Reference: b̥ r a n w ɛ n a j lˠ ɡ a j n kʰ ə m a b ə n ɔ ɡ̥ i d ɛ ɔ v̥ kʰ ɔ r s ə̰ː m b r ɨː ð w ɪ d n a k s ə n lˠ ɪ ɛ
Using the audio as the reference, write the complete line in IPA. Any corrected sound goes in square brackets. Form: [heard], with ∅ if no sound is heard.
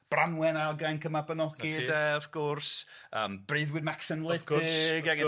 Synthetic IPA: b̥ r a n w ɛ n a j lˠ ɡ a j n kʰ ə m a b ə n ɔ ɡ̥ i d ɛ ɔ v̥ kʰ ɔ r s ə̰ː m b r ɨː ð w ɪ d [m] a k s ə n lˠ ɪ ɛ